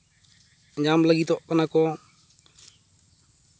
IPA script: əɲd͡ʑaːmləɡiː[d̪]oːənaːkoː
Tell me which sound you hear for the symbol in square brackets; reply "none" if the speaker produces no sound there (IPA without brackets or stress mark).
t̪